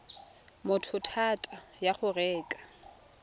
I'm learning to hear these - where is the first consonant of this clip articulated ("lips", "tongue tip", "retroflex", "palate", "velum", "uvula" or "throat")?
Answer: lips